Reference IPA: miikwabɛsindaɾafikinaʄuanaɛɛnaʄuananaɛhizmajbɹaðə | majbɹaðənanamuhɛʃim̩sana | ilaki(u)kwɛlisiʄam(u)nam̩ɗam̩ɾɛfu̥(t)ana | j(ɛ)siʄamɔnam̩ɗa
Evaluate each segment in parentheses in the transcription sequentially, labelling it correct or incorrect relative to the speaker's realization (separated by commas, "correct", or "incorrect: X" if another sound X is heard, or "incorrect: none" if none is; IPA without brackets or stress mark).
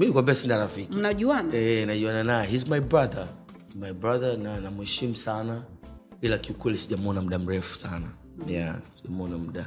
correct, incorrect: ɔ, incorrect: s, incorrect: a